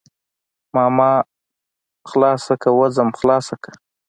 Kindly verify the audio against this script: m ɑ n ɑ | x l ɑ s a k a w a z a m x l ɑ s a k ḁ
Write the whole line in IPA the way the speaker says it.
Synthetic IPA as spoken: m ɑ m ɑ | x l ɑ s a k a w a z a m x l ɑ s a k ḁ